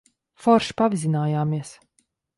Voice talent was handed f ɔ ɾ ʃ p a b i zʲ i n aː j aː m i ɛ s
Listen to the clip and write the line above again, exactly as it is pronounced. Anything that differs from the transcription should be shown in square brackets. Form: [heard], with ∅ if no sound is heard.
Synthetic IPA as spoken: f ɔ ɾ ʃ p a [v] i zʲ i n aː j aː m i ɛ s